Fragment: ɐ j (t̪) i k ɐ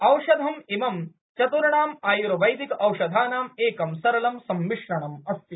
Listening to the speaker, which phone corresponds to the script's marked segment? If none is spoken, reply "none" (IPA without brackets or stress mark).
d̪